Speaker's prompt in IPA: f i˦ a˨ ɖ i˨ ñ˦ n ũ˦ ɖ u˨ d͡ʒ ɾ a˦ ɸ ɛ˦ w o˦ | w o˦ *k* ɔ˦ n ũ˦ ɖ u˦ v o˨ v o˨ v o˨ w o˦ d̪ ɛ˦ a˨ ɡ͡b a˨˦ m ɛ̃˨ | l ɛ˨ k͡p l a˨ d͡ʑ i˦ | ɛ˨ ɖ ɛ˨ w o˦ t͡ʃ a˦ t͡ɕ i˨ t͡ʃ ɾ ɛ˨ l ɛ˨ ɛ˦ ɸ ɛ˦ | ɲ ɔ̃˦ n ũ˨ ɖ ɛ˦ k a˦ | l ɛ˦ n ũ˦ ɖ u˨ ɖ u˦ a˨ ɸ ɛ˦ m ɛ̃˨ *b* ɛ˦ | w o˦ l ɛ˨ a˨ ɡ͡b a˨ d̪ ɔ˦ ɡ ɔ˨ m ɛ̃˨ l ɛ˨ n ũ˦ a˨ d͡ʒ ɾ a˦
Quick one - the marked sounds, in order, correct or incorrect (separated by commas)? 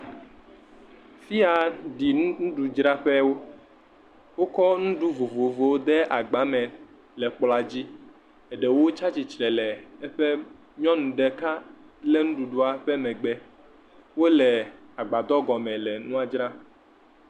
correct, incorrect